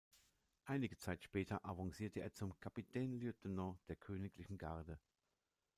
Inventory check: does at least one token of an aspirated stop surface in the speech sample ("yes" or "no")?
yes